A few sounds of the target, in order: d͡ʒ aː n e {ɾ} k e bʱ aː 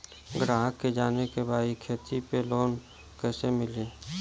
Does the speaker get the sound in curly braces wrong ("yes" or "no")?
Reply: yes